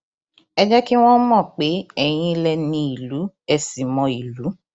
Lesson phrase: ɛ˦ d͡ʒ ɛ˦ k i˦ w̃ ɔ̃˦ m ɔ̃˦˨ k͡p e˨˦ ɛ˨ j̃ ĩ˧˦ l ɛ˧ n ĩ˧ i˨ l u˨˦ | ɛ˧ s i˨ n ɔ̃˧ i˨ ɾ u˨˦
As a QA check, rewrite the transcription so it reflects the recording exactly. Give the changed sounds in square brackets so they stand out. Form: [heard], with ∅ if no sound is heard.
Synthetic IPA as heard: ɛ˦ d͡ʒ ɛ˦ k i˦ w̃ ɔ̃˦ m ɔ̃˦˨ k͡p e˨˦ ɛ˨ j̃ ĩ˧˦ l ɛ˧ n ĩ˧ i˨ l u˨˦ | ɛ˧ s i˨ [m] ɔ̃˧ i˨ [l] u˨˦